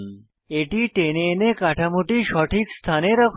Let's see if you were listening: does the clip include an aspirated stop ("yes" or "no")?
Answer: yes